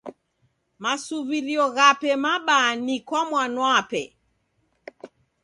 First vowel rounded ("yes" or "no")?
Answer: no